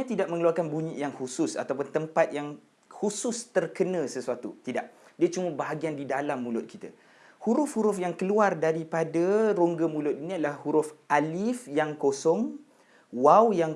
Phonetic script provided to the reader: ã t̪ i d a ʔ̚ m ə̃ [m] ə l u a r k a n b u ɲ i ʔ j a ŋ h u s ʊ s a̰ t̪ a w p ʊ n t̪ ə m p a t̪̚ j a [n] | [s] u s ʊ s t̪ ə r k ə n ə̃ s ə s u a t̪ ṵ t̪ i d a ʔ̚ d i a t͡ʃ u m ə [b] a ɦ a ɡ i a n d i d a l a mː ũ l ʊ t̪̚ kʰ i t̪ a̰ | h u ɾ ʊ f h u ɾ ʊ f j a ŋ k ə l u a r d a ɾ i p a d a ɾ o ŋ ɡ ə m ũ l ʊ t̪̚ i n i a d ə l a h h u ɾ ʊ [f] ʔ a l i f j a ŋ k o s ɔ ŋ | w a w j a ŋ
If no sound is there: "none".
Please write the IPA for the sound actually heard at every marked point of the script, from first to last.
ŋ, ŋ, h, b, f

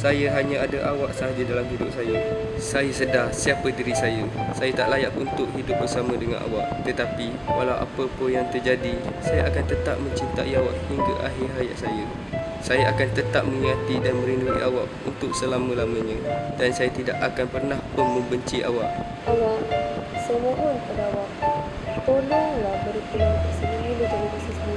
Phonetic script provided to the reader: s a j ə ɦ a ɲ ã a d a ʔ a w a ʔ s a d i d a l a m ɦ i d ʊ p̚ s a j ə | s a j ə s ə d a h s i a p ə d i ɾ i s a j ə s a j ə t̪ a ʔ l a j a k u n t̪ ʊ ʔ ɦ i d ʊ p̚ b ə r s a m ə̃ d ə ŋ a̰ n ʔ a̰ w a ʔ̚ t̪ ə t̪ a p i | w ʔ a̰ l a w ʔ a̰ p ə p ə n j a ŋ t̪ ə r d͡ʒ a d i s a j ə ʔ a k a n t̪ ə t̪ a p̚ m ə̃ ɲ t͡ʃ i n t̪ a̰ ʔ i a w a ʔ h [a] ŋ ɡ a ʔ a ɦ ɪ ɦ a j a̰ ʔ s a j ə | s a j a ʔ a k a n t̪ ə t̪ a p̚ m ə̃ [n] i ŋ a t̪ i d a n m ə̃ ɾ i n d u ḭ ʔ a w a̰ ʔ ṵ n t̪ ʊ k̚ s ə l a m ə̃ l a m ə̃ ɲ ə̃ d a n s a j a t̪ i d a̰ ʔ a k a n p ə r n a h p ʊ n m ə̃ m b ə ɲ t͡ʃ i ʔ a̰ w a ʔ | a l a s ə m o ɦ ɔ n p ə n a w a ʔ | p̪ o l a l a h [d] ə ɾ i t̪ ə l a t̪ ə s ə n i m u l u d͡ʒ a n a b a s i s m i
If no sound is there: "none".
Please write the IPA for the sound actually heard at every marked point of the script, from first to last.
i, ŋ, b

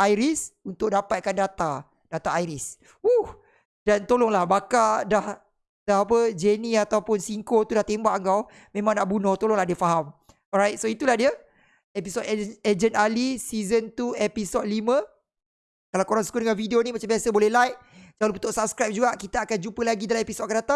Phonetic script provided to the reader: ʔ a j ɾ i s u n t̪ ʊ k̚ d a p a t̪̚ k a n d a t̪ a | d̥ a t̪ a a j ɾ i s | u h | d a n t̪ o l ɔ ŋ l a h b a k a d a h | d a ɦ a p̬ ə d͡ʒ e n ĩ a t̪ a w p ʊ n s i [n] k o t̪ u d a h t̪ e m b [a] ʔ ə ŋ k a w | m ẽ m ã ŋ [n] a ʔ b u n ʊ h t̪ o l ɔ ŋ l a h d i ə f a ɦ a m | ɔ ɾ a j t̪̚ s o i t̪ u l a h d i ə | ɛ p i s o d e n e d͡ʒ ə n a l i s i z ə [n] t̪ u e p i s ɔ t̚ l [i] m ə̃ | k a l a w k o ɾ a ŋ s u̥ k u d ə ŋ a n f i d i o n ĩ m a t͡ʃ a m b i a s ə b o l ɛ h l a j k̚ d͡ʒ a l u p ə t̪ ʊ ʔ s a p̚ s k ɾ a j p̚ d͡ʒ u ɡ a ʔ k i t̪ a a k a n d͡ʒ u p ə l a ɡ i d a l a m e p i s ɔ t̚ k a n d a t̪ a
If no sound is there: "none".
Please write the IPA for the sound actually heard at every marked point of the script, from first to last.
ŋ, a, n, n, i

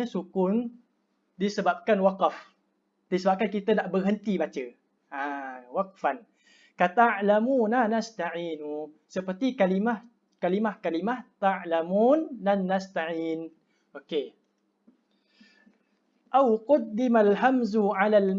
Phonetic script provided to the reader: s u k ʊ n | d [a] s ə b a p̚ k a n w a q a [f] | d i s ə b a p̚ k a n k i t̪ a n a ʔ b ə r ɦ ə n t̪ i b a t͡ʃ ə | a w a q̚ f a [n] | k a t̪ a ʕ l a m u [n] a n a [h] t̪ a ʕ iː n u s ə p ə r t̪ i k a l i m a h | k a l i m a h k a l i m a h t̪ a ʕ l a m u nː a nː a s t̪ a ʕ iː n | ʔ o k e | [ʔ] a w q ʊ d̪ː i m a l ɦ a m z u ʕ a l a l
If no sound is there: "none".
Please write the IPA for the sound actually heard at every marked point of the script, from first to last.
i, f, n, n, s, ʔ

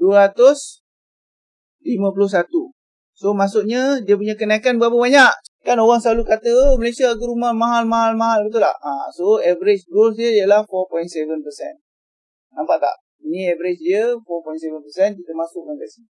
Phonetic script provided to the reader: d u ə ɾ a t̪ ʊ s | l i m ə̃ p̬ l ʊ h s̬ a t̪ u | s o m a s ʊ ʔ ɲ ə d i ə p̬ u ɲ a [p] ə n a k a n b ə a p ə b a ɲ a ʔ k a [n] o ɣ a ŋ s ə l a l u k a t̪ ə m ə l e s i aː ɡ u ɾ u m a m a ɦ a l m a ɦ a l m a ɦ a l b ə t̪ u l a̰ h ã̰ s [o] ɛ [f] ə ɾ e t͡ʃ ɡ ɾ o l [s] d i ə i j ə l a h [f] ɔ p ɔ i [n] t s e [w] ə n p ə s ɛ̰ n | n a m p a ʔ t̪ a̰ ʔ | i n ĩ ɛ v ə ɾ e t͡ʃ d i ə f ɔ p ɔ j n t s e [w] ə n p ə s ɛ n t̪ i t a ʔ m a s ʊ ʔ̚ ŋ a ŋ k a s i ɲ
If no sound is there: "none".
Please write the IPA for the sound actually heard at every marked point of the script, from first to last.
k, n, o, v, s, f, n, v, v

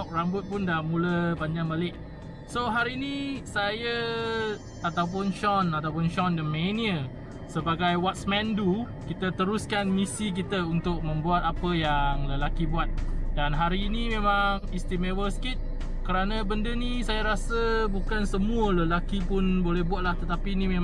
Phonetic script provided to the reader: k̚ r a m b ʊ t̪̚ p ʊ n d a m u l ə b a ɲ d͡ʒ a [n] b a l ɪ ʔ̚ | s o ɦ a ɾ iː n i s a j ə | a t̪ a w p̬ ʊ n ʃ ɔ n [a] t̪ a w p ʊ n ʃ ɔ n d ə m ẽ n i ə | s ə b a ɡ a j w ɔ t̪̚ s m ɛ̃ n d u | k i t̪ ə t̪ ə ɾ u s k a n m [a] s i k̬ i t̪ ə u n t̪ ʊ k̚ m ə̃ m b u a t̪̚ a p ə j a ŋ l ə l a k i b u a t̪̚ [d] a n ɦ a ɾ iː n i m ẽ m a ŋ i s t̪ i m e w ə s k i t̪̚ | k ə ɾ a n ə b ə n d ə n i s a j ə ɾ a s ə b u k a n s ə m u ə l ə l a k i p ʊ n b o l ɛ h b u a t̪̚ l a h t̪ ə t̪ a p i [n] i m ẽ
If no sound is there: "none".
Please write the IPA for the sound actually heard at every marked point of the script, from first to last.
ŋ, a, i, d, n

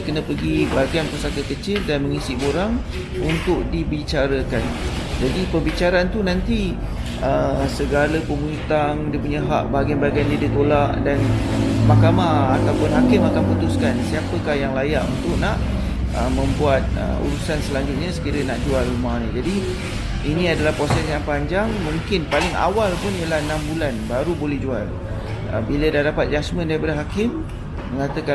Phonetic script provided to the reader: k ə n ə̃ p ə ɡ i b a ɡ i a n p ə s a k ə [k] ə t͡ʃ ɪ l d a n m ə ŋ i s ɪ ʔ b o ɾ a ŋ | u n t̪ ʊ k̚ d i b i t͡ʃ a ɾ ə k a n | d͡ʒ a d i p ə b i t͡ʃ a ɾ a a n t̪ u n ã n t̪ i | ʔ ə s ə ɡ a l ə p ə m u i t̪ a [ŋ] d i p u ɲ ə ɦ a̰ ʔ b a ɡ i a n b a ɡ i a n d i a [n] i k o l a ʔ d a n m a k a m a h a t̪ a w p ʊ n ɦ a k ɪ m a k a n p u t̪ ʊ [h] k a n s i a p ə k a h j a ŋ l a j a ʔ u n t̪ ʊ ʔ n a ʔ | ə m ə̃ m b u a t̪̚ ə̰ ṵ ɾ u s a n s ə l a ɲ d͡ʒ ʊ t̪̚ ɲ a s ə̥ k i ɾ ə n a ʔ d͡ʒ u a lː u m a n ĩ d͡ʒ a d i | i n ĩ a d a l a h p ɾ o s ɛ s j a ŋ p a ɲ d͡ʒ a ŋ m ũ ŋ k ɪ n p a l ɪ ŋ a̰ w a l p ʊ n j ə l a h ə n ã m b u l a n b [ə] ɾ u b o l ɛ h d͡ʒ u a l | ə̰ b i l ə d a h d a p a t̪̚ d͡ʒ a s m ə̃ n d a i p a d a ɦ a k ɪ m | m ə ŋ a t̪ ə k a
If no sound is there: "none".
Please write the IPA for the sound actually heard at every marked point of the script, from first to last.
k, ŋ, d, s, a

